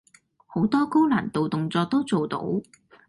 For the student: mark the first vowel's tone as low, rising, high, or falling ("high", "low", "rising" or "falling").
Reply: rising